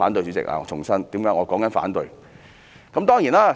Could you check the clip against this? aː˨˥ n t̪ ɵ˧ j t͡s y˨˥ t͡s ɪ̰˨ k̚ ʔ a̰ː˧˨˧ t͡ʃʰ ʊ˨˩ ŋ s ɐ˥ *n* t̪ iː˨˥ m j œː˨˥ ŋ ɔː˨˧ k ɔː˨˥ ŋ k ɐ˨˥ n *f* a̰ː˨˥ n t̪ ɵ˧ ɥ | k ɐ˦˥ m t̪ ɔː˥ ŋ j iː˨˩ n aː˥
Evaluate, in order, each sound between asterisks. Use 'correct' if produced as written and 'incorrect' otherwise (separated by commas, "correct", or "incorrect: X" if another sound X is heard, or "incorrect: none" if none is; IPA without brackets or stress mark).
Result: correct, correct